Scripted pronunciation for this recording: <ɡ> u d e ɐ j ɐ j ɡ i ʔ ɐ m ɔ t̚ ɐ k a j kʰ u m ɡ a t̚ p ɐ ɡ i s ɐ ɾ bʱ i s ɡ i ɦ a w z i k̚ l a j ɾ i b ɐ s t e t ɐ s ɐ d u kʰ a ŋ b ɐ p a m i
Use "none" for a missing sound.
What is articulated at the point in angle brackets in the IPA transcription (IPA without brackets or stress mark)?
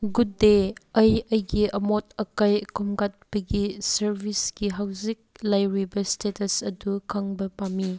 ɡ